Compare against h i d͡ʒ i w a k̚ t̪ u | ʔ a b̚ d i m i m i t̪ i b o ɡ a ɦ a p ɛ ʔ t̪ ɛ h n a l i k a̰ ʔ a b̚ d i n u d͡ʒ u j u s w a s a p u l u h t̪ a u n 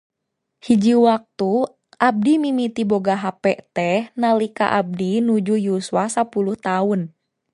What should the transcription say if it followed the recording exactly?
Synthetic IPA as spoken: h i d͡ʒ i w a k̚ t̪ u | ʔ a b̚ d i m i m i t̪ i b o ɡ a ɦ a p ɛ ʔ t̪ ɛ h n a l i k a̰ ʔ a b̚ d i n u d͡ʒ u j u s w a s a p u l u h t̪ a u n